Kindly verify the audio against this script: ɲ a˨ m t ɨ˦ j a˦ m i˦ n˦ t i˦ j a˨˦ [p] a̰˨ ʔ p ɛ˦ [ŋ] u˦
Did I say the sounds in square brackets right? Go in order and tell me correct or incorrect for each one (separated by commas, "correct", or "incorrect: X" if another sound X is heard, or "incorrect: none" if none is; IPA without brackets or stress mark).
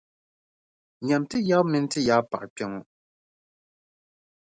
correct, correct